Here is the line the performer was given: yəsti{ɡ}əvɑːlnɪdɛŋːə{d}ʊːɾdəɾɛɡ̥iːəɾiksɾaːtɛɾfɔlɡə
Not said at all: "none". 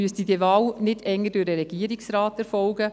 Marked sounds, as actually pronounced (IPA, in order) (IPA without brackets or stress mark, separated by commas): d, d